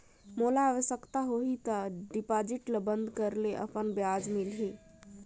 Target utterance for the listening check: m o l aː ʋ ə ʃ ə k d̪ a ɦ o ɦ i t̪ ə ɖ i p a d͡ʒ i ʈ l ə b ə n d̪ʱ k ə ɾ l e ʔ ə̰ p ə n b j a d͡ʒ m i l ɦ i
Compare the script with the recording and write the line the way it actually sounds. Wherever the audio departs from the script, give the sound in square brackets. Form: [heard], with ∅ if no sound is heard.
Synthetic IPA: m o l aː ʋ ə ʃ ə k [t̪] a ɦ o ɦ i t̪ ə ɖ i p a d͡ʒ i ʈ l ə b ə n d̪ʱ k ə ɾ l e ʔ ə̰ p ə n b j a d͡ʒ m i l ɦ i